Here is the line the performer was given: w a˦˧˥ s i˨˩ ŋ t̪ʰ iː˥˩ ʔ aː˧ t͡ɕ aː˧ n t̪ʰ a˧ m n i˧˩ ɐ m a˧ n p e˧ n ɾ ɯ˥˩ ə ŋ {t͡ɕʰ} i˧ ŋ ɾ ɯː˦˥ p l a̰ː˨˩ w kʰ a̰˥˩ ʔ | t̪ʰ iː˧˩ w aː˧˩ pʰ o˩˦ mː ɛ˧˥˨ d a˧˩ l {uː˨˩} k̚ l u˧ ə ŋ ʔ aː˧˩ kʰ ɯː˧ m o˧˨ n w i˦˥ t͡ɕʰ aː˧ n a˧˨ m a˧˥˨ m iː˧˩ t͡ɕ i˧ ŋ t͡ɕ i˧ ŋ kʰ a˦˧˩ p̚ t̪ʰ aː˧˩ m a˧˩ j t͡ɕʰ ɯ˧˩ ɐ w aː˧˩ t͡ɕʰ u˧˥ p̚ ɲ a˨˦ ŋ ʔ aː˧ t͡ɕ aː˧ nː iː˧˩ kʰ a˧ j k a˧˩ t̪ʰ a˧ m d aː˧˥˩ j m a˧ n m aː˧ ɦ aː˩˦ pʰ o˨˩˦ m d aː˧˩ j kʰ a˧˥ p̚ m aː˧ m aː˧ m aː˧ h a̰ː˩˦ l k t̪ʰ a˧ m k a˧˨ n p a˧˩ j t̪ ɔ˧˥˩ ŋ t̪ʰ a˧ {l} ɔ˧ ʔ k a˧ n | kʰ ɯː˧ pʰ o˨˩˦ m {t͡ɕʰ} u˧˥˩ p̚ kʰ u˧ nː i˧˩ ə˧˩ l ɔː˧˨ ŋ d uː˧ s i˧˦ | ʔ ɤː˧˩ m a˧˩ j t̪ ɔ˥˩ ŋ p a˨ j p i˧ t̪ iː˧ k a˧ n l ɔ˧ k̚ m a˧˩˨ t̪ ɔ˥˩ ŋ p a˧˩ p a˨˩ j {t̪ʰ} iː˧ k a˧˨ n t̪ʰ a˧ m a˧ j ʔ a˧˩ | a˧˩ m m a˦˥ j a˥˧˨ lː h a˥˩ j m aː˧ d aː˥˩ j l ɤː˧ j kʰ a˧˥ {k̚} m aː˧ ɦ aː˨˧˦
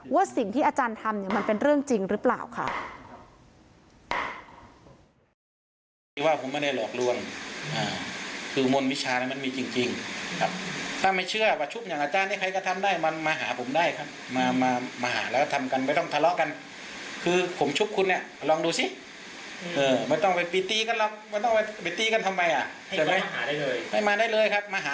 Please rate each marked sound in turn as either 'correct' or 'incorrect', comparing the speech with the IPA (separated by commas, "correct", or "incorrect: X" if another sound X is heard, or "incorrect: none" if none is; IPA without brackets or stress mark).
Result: incorrect: t͡ɕ, incorrect: ɔː˨˩, correct, correct, incorrect: t̪, incorrect: p̚